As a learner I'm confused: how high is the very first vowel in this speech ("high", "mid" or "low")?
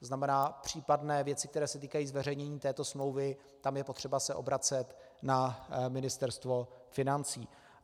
low